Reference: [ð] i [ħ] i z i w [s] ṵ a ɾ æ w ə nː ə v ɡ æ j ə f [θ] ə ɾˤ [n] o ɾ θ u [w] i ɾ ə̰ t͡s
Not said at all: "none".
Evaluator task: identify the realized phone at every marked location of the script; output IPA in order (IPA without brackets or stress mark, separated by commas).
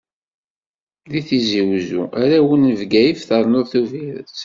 ð, θ, z, θ, n, v